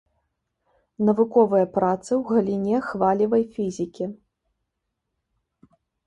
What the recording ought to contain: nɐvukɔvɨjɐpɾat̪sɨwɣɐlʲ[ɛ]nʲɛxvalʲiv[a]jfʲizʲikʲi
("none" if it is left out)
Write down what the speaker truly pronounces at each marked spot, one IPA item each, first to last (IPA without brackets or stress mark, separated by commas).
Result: i, ɐ